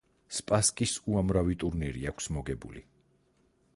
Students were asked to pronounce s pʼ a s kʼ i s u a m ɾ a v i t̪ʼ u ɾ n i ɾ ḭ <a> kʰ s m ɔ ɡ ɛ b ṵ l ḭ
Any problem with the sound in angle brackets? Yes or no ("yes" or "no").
no